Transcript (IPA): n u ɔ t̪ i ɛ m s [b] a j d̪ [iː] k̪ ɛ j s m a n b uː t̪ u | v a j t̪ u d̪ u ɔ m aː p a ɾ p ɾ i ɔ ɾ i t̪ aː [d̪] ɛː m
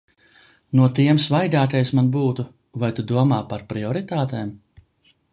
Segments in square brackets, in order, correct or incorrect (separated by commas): incorrect, incorrect, incorrect